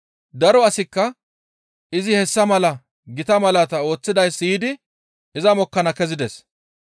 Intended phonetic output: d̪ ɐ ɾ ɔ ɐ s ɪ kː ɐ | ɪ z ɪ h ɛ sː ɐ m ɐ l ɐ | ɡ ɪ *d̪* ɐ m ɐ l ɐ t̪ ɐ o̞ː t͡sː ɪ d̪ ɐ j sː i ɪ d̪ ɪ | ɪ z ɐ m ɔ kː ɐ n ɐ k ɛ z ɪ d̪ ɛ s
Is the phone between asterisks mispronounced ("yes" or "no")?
yes